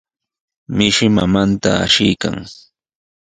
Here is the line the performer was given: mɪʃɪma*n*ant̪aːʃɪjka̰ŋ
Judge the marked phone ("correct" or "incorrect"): incorrect